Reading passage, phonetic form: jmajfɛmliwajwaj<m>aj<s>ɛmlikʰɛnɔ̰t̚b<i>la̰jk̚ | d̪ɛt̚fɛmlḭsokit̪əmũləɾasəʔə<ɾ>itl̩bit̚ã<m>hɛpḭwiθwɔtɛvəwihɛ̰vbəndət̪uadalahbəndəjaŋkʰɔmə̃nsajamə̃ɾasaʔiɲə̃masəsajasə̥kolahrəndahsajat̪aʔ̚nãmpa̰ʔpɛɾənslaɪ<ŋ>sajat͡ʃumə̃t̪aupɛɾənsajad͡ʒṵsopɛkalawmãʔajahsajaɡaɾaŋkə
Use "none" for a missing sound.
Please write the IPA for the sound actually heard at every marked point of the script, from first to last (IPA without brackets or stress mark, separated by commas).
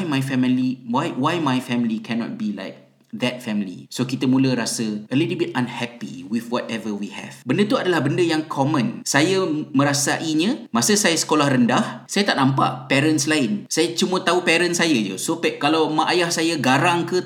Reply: m, f, i, l, n, n